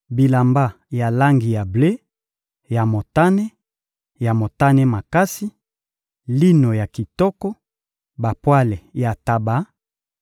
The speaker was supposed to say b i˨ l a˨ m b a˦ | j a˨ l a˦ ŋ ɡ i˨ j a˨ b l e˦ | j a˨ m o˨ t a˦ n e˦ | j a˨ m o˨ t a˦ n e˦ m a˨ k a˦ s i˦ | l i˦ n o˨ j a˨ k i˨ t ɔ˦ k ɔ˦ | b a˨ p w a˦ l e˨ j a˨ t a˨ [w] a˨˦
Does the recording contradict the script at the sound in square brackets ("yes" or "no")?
yes